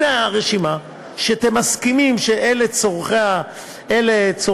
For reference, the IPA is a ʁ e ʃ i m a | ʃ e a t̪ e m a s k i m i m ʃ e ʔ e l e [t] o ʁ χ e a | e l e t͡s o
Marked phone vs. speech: incorrect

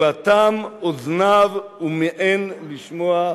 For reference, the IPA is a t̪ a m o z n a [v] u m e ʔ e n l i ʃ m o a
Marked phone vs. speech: correct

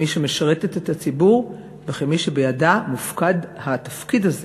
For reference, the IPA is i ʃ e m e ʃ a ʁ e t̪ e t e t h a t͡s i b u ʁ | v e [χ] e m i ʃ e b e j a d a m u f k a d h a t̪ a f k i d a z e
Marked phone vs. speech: correct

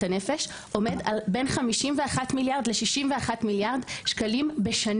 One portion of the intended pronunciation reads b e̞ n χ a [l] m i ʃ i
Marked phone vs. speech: incorrect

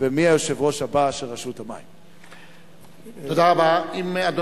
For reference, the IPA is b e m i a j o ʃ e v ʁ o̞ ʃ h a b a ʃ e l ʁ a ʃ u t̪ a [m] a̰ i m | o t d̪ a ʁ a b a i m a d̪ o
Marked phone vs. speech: correct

